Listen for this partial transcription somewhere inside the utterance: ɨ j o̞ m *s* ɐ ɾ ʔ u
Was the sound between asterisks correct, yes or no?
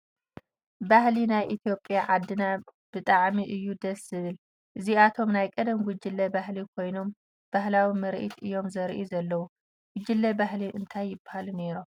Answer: no